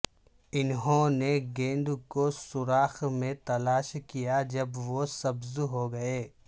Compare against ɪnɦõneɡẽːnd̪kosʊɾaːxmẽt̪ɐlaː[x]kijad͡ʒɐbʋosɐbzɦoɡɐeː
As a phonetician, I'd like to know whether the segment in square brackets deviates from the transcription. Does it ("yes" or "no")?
yes